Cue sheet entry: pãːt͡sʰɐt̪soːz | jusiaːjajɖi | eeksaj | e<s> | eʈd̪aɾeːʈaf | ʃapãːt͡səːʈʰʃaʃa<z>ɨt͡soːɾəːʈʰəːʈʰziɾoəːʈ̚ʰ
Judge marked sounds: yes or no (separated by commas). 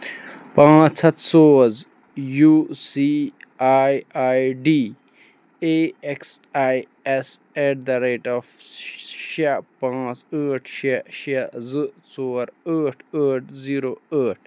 yes, yes